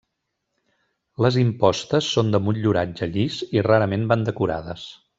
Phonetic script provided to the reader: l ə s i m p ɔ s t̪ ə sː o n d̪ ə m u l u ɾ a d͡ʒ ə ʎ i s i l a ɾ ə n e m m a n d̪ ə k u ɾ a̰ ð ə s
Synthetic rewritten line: l ə z i m p ɔ s t̪ ə sː o n d̪ ə m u ʎ u ɾ a d͡ʒ ə ʎ i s i r a ɾ ə m e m b a n d̪ ə k u ɾ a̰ ð ə s